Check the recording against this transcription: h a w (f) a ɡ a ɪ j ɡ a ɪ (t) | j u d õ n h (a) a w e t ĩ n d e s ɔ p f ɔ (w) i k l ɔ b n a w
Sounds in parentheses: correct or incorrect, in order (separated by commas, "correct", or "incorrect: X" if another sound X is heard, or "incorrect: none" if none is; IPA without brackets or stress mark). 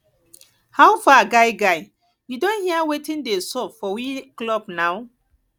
correct, incorrect: none, incorrect: i, correct